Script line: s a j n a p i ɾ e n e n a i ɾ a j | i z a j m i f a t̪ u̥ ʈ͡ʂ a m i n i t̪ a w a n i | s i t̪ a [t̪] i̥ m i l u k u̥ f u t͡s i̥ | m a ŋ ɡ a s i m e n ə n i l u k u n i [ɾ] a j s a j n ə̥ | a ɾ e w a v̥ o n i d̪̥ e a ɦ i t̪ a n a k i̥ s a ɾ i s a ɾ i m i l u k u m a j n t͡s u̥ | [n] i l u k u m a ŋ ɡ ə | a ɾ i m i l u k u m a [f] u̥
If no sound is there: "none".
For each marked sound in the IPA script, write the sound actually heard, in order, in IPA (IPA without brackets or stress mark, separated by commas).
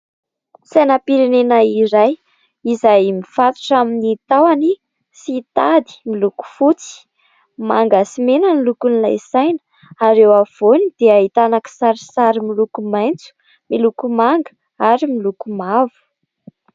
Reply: d̪, l, m, v